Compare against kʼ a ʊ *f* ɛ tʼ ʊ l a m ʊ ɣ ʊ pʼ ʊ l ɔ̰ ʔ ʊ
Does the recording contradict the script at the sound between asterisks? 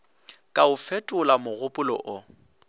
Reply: no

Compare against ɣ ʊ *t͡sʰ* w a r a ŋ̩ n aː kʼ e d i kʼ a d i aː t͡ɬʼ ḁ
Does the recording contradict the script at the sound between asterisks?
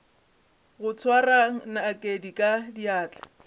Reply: no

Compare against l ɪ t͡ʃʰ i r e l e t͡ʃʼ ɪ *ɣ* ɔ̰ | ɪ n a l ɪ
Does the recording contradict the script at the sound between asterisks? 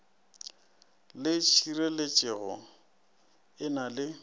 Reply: no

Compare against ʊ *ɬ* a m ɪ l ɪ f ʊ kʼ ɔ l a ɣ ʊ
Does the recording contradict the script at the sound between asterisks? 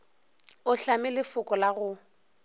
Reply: no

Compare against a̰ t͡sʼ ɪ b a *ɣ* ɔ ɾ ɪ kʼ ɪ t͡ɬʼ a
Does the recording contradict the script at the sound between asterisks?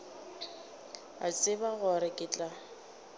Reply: no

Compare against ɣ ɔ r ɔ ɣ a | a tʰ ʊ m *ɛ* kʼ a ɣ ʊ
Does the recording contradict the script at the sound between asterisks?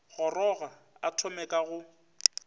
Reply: no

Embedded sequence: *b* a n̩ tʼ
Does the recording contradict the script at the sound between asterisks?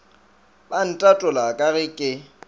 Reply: no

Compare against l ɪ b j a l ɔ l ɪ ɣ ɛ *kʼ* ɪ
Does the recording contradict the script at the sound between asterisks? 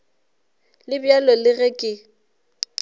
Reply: no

